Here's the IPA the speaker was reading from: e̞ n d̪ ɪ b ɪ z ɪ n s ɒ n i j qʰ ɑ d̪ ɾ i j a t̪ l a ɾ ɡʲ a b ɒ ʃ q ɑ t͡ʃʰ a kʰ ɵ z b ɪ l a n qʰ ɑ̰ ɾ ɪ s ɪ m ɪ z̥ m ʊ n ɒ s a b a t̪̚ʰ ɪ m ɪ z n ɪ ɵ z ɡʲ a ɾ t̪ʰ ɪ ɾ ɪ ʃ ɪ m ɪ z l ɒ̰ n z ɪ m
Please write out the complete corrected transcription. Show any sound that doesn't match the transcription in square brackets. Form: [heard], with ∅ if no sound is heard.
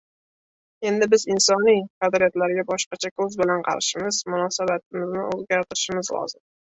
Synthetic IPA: e̞ n d̪ ɪ b ɪ z ɪ n s ɒ n i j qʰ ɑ d̪ ɾ i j a t̪ l a ɾ ɡʲ a b ɒ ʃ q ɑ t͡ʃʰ a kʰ ɵ z b ɪ l a n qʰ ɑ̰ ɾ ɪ [ʃ] ɪ m ɪ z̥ m ʊ n ɒ s a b a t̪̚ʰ ɪ m ɪ z n ɪ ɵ z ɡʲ a ɾ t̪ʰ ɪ ɾ ɪ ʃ ɪ m ɪ z l ɒ̰ [∅] z ɪ m